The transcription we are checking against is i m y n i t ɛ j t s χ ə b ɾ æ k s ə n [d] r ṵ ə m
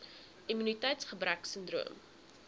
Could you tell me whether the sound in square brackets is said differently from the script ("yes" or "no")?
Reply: no